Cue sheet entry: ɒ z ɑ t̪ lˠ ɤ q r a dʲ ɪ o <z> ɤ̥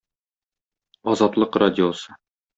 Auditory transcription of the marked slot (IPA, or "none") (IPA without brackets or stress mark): s